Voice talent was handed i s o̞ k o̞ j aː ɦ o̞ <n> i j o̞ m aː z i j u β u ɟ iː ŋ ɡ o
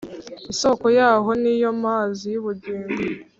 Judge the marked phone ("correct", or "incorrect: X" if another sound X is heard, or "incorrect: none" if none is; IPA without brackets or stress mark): correct